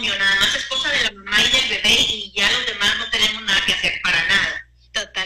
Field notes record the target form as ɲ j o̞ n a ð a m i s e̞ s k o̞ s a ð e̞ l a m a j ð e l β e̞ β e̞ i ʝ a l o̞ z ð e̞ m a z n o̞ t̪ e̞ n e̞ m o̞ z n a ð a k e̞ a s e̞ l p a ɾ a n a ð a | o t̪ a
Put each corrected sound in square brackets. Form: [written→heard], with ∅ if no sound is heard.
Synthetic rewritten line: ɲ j o̞ n a ð a m [i→a] s e̞ s k o̞ s a ð e̞ l a m a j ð e l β e̞ β e̞ i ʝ a l o̞ z ð e̞ m a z n o̞ t̪ e̞ n e̞ m o̞ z n a ð a k e̞ a s e̞ [l→ɾ] p a ɾ a n a ð a | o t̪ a